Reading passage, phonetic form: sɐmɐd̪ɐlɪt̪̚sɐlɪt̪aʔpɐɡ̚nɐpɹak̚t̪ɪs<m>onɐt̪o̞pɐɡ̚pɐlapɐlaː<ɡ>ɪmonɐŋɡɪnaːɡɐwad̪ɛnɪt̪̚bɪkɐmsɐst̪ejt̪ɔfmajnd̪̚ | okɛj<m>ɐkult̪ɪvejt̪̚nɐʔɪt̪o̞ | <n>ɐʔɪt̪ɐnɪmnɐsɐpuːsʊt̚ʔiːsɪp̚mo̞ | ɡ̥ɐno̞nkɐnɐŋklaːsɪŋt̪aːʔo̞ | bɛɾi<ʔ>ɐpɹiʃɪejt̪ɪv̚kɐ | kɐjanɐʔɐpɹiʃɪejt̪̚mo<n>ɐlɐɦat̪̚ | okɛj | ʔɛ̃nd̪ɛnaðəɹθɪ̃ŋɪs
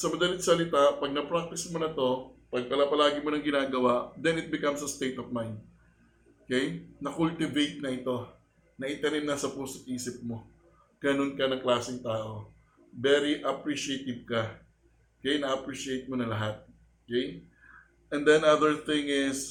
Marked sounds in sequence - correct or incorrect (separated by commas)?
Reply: correct, correct, incorrect, correct, correct, correct